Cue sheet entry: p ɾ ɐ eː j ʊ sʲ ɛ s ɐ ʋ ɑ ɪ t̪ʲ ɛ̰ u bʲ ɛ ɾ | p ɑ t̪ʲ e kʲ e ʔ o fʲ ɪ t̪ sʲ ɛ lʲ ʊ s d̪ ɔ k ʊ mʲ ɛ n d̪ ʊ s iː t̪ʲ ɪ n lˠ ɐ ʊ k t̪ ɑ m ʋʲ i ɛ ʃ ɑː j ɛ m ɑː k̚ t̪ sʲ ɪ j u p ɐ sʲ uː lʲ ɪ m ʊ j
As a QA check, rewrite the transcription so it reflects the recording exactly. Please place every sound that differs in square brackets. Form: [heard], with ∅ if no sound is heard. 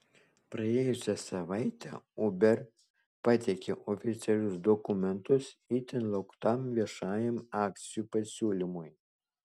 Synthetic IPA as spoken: p ɾ ɐ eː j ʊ sʲ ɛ s ɐ ʋ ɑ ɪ t̪ʲ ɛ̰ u bʲ ɛ ɾ | p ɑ t̪ʲ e kʲ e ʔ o fʲ ɪ t̪ sʲ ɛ lʲ ʊ s d̪ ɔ k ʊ mʲ ɛ n [t̪] ʊ s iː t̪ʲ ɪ n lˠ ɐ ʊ k t̪ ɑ m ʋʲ i ɛ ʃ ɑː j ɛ m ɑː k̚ t̪ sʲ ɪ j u p ɐ sʲ uː lʲ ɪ m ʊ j